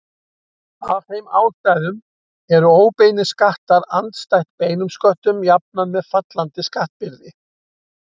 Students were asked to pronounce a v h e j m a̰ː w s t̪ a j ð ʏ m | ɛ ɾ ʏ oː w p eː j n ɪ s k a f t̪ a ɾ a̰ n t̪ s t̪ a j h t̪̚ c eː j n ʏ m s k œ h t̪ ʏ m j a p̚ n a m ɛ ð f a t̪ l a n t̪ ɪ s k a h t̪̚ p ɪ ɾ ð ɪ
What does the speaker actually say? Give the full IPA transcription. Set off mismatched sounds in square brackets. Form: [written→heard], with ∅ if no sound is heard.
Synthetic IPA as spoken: a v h e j m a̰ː w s t̪ a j ð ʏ m | ɛ ɾ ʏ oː w p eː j n ɪ s k a [f→h] t̪ a ɾ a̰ n t̪ s t̪ a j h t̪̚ [c→p] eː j n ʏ m s k œ h t̪ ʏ m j a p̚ n a m ɛ ð f a t̪ l a n t̪ ɪ s k a h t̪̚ p ɪ ɾ ð ɪ